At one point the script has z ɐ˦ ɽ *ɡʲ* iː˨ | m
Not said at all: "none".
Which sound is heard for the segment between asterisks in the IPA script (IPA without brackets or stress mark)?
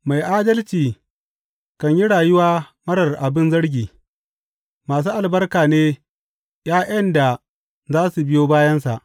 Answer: ɡʲ